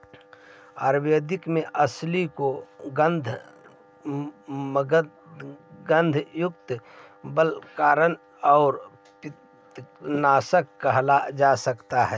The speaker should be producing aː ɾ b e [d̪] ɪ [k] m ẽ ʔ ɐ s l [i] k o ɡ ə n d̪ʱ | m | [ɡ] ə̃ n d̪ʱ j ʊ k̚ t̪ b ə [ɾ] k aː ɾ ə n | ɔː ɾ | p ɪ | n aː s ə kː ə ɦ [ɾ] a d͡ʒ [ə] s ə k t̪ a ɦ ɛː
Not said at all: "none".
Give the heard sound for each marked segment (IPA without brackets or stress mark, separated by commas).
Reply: d̪, k, i, ɡ, l, l, a